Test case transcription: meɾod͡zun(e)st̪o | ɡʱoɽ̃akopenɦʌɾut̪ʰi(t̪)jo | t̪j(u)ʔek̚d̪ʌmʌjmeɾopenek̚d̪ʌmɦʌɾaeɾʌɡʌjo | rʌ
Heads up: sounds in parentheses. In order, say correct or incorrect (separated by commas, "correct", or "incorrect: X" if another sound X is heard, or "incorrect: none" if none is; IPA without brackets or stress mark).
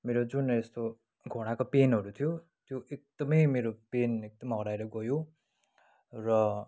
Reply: correct, incorrect: none, incorrect: o